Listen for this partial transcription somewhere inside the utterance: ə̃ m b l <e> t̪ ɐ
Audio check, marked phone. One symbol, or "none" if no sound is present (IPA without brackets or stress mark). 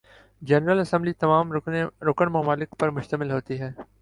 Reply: i